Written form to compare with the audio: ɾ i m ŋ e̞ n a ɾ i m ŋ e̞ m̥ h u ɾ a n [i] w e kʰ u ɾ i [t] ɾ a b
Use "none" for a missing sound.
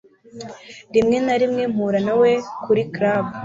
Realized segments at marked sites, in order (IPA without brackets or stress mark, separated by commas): a, k